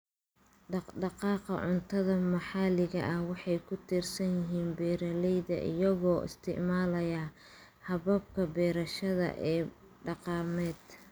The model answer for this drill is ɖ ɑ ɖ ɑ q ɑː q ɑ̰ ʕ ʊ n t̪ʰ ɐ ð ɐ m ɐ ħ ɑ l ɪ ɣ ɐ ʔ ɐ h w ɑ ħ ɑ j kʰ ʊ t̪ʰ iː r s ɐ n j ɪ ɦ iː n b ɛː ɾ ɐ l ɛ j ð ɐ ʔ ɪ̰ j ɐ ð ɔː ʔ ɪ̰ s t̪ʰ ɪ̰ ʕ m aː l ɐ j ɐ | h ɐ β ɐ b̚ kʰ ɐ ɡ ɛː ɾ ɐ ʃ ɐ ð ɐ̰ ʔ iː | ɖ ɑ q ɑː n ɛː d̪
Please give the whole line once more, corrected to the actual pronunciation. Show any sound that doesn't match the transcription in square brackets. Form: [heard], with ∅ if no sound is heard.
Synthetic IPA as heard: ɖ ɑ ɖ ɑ q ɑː q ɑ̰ ʕ ʊ n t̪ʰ ɐ ð ɐ m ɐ ħ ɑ l ɪ ɣ ɐ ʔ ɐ h w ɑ ħ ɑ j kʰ ʊ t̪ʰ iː r s ɐ n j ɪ ɦ iː n b ɛː ɾ ɐ l ɛ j ð ɐ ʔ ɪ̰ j ɐ [ɣ] ɔː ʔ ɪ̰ s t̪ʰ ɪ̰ ʕ m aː l ɐ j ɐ | h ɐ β ɐ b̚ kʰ ɐ [b] ɛː ɾ ɐ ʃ ɐ ð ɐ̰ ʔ [ɛː] | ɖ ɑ q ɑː [m] ɛː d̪